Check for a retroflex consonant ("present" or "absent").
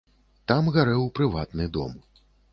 absent